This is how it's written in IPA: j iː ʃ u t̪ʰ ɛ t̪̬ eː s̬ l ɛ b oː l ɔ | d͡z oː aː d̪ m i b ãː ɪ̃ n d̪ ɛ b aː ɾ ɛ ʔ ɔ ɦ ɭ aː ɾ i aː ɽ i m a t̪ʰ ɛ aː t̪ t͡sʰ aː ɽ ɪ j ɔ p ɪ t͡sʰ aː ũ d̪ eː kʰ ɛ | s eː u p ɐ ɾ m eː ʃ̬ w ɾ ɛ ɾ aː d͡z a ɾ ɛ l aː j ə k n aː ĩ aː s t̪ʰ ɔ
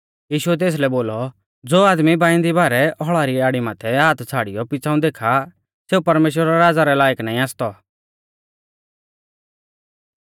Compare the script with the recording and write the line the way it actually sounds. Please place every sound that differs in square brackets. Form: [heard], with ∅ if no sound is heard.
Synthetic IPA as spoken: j iː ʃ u [∅] ɛ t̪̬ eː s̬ l ɛ b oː l ɔ | d͡z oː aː d̪ m i b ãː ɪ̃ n d̪ [i] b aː ɾ ɛ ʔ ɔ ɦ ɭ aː ɾ i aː ɽ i m a t̪ʰ ɛ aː t̪ t͡sʰ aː ɽ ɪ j ɔ p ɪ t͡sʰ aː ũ d̪ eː kʰ [a] | s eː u p ɐ ɾ m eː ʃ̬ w ɾ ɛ ɾ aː d͡z a ɾ ɛ l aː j ə k n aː ĩ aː s [t̪] ɔ